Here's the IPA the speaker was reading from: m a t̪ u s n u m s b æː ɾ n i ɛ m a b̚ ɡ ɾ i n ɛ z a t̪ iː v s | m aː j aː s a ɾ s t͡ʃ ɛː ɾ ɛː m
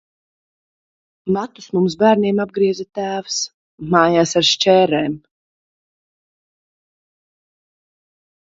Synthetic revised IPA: m a t̪ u s m u m s b æː ɾ n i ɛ m a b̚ ɡ ɾ i ɛ z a t̪ æː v s | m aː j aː s a ɾ ʃ t͡ʃ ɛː ɾ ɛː m

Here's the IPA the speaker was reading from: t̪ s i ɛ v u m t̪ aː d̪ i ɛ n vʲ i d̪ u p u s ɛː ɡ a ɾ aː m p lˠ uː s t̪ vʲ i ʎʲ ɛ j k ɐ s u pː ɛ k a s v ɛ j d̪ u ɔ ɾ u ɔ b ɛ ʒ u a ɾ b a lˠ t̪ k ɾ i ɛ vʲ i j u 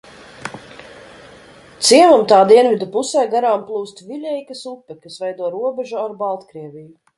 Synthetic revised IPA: t̪ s i ɛ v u m t̪ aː d̪ i ɛ n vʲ i d̪ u p u s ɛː ɡ a ɾ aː m p lˠ uː s t̪ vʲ i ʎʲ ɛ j k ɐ s u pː ɛ k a s v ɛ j d̪ u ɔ ɾ u ɔ b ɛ ʒ u a ɾ b a lˠ t̪ k ɾ i ɛ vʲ i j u

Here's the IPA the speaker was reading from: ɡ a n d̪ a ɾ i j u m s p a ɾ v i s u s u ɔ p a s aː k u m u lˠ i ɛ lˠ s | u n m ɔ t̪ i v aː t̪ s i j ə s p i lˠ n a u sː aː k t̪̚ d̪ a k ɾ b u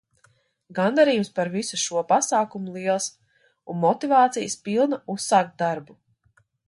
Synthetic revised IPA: ɡ a n d̪ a ɾ i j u m s p a ɾ v i s u ʃ u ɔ p a s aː k u m u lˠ i ɛ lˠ s | u n m ɔ t̪ i v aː t̪ s i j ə s p i lˠ n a u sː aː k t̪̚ d̪ a ɾ b u

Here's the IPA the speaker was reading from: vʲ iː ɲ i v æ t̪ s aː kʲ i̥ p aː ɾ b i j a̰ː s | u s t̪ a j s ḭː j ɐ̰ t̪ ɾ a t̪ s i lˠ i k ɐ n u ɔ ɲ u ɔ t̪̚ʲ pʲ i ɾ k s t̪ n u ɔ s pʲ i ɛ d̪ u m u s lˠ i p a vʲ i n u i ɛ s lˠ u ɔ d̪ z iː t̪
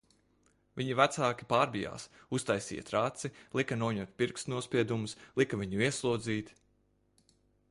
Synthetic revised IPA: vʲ i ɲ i v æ t̪ s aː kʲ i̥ p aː ɾ b i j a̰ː s | u s t̪ a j s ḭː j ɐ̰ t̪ ɾ a t̪ s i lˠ i k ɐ n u ɔ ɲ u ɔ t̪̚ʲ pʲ i ɾ k s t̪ n u ɔ s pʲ i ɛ d̪ u m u s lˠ i k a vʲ i ɲ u i ɛ s lˠ u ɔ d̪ z iː t̪

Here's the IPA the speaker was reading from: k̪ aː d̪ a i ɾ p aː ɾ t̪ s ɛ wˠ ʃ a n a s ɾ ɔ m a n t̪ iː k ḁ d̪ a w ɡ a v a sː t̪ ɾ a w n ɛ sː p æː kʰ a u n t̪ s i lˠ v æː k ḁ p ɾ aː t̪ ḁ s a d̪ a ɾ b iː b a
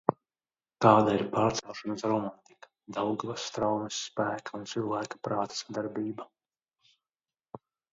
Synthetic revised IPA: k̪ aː d̪ a i ɾ p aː ɾ t̪ s ɛ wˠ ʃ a n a s ɾ ɔ m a n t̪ i k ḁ d̪ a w ɡ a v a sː t̪ ɾ a w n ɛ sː p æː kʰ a u n t̪ s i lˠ v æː k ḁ p ɾ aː t̪ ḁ s a d̪ a ɾ b iː b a

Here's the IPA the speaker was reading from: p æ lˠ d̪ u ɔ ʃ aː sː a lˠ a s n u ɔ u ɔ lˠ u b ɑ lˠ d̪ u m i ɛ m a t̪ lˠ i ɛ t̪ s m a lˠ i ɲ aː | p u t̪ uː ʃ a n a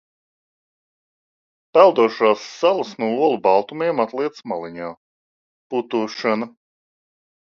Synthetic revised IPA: p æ lˠ d̪ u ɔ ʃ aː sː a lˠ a s n u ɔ u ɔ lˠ u b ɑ lˠ t̪ u m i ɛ m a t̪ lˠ i ɛ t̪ s m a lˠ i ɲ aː | p u t̪ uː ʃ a n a

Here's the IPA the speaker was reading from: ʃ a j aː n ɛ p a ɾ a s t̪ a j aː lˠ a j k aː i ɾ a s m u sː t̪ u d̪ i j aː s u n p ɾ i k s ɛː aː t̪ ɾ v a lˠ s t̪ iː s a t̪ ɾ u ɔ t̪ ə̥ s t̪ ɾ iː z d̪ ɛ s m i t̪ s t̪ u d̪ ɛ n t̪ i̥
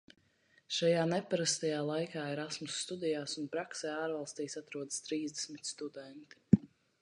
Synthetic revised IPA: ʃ a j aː n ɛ p a ɾ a s t̪ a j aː lˠ a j k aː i ɾ a s m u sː t̪ u d̪ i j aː s u n p ɾ a k s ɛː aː ɾ v a lˠ s t̪ iː s a t̪ ɾ u ɔ d̪ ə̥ s t̪ ɾ iː z d̪ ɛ s m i t̪ s t̪ u d̪ ɛ n t̪ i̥

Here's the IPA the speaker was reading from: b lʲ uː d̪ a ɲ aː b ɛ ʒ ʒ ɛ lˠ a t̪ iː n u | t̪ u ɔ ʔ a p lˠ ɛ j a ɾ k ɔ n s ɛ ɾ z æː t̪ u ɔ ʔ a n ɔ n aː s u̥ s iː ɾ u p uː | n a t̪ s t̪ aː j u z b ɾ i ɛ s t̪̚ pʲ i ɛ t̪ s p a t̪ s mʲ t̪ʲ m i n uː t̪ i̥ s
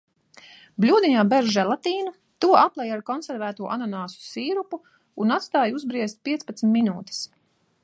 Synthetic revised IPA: b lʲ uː d̪ i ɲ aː b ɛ ʒ ʒ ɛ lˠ a t̪ iː n u | t̪ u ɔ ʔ a p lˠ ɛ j a ɾ k ɔ n s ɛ ɾ v æː t̪ u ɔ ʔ a n ɔ n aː s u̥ s iː ɾ u p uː | n a t̪ s t̪ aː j u z b ɾ i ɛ s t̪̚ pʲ i ɛ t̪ s p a t̪ s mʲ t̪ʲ m i n uː t̪ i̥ s

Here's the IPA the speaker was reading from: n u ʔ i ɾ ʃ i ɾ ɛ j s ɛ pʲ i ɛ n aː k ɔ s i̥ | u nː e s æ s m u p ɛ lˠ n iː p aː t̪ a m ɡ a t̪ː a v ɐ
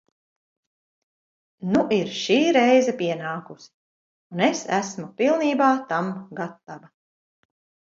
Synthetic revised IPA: n u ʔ i ɾ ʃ iː ɾ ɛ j z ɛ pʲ i ɛ n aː k u s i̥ | u n e s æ s m u p i lˠ n iː b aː t̪ a m ɡ a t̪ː a v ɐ

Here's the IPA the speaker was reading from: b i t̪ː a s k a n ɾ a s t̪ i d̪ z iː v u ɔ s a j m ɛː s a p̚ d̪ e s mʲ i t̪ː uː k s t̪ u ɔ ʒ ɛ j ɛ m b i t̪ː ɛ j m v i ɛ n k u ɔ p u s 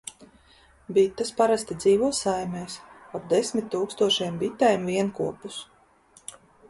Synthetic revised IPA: b i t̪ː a s p a ɾ a s t̪ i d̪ z iː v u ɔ s a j m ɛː s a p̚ d̪ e s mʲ i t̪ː uː k s t̪ u ɔ ʃ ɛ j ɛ m b i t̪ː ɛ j m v i ɛ n k u ɔ p u s

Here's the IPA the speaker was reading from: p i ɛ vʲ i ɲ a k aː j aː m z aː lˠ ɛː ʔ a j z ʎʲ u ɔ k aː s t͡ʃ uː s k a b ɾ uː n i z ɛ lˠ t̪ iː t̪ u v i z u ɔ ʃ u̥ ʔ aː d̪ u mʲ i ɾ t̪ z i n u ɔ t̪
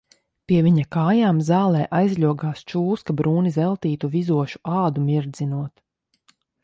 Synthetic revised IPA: p i ɛ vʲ i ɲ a k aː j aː m z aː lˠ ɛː ʔ a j z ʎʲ u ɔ ɡ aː s t͡ʃ uː s k a b ɾ uː n i z ɛ lˠ t̪ iː t̪ u v i z u ɔ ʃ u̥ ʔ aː d̪ u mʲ i ɾ d̪ z i n u ɔ t̪

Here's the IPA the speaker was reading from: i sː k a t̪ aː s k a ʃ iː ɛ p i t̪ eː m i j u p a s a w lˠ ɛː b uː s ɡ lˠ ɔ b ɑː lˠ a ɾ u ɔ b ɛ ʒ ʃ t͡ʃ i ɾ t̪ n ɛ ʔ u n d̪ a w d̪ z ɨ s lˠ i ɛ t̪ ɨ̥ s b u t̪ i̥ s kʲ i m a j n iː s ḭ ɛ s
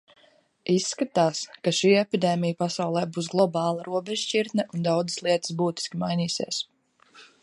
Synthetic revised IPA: i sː k a t̪ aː s k a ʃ iː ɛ p i d̪ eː m i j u p a s a w lˠ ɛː b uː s ɡ lˠ ɔ b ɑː lˠ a ɾ u ɔ b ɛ ʒ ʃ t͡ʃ i ɾ t̪ n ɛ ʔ u n d̪ a w d̪ z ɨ s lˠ i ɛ t̪ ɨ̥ s b uː t̪ i̥ s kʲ i m a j n iː s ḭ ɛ s

